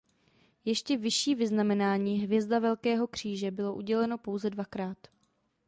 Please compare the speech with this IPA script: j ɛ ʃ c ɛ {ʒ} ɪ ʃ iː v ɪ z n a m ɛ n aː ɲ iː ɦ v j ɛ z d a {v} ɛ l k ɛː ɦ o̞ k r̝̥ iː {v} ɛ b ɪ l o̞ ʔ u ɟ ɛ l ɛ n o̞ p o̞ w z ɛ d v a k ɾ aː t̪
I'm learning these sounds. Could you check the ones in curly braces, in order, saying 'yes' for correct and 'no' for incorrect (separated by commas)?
no, yes, no